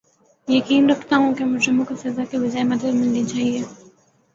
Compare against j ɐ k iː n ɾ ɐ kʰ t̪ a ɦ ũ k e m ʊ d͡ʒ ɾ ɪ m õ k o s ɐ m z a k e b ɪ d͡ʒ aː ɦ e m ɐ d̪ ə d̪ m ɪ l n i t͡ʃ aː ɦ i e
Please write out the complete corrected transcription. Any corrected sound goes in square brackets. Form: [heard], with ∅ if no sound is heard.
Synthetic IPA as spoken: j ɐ k iː n ɾ ɐ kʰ t̪ a ɦ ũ k e m ʊ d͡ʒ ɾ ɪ m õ k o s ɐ [∅] z a k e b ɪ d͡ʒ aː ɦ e m ɐ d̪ ə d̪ m ɪ l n i t͡ʃ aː ɦ i e